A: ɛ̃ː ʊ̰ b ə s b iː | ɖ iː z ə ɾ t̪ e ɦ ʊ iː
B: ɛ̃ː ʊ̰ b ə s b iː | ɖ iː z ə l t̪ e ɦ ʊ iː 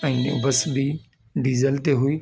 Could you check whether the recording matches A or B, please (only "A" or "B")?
B